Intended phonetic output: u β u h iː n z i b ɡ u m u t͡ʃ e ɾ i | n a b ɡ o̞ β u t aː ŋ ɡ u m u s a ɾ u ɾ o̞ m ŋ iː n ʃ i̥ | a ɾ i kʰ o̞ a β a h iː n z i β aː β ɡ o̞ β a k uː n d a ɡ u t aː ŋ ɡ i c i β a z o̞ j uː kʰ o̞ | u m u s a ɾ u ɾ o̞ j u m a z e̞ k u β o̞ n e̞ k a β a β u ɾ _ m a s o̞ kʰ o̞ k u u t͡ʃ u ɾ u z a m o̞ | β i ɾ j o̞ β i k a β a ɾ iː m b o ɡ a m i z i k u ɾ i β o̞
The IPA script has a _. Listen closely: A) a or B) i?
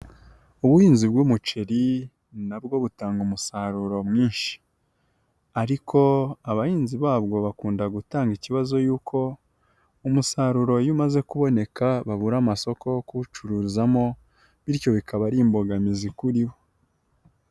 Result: A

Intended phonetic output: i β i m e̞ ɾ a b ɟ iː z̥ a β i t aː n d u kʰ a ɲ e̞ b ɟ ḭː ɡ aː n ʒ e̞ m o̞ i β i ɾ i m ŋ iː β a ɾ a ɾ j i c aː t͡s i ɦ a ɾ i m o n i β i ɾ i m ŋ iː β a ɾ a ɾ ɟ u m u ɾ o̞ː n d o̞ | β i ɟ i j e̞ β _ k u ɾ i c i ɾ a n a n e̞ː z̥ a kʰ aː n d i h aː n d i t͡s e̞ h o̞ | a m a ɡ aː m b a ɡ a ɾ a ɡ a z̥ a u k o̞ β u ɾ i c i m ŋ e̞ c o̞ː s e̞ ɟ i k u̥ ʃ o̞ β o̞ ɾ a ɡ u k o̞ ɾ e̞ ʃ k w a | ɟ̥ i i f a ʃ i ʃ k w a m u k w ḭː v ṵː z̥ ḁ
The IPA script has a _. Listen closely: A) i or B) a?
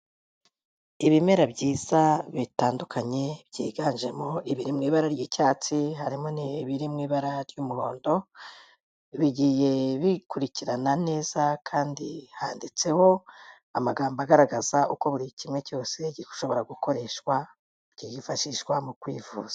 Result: A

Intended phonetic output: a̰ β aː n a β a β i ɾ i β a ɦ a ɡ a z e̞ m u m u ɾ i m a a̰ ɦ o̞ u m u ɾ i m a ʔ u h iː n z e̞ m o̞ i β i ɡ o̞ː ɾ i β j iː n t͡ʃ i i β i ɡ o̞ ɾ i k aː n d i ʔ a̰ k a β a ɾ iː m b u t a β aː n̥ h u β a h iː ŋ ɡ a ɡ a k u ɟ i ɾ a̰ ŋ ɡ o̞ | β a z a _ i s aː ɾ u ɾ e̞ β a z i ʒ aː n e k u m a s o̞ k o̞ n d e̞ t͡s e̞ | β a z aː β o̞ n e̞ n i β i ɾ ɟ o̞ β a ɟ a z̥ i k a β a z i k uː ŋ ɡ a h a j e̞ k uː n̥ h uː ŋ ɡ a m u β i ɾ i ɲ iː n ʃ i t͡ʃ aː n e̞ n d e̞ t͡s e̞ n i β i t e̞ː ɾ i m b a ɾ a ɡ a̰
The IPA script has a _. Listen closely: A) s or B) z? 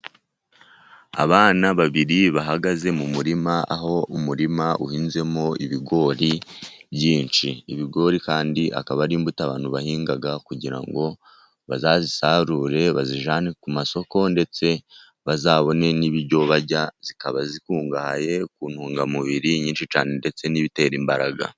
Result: B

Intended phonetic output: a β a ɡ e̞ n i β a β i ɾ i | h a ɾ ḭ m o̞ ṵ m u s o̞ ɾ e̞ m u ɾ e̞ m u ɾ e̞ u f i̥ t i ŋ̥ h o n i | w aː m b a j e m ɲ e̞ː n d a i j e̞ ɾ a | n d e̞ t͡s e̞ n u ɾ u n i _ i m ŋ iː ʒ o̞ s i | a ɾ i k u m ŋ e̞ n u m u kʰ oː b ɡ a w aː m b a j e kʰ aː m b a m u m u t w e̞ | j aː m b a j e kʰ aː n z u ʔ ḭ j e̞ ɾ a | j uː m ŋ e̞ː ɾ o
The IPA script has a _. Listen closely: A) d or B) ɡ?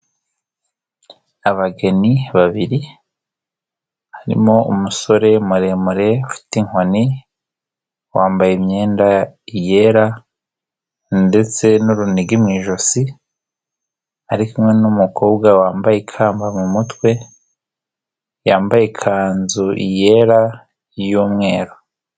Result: B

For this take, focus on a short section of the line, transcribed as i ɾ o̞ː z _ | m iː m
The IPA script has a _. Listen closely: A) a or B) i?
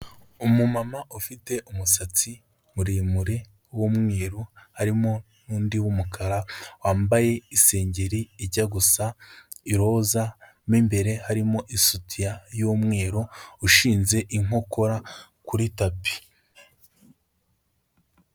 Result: A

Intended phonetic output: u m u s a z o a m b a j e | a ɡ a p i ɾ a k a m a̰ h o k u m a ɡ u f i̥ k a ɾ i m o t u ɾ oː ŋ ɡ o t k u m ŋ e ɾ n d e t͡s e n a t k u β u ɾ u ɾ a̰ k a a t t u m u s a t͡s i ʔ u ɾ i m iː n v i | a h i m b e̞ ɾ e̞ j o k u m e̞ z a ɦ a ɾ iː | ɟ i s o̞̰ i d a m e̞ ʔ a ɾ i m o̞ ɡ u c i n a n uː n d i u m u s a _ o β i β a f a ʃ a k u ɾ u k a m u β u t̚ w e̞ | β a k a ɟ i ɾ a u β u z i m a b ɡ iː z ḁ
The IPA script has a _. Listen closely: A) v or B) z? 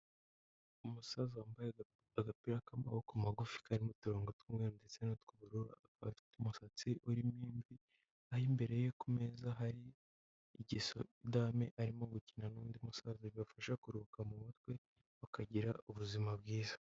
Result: B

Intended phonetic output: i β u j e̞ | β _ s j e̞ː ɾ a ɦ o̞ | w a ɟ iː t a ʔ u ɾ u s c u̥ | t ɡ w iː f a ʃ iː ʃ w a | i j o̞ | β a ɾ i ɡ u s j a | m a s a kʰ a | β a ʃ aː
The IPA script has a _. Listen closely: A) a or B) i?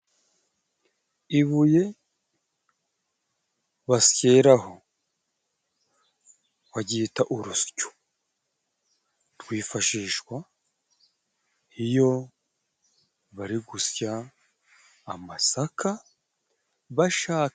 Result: A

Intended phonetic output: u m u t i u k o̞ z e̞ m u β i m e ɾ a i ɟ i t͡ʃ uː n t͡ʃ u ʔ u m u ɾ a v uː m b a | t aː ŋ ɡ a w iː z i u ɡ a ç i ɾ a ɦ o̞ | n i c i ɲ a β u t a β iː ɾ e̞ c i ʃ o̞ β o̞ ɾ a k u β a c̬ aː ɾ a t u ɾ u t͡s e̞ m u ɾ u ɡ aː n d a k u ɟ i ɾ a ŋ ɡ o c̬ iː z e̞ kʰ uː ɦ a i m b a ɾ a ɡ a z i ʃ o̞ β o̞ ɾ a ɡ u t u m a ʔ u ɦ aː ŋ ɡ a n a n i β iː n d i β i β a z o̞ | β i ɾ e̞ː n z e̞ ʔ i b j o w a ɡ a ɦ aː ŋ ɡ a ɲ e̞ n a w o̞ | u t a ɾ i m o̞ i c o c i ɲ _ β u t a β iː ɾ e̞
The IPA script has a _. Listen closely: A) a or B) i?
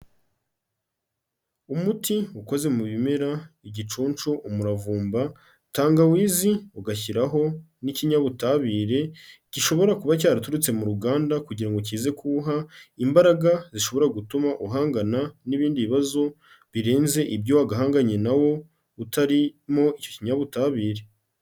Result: A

